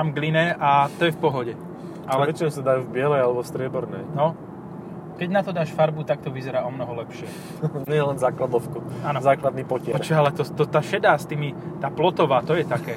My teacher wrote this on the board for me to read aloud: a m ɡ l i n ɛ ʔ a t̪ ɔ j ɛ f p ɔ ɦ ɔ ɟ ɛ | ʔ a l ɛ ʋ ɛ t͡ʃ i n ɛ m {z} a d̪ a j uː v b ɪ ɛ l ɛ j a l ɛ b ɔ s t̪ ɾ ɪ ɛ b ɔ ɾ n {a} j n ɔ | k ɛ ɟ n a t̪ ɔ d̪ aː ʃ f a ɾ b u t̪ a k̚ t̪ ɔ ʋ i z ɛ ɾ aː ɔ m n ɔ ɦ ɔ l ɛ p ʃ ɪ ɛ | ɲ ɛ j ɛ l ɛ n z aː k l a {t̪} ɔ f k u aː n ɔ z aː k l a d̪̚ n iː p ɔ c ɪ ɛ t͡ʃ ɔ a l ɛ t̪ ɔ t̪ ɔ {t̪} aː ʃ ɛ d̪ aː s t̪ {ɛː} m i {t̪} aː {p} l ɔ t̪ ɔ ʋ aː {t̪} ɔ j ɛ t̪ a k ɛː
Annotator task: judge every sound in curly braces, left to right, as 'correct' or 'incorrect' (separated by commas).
incorrect, incorrect, incorrect, correct, incorrect, correct, correct, correct